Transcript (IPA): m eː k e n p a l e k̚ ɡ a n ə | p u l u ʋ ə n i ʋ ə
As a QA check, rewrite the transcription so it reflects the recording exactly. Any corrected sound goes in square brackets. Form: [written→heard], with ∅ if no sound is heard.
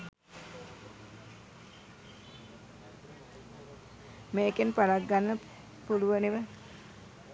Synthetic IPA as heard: m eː k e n p a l [e→a] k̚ ɡ a [n→nː] ə | p u l u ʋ ə n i ʋ ə